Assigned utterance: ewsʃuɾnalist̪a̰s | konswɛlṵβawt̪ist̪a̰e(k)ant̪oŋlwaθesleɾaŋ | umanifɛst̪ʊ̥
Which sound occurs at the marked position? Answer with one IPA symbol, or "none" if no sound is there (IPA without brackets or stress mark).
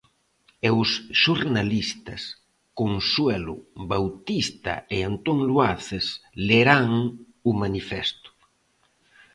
none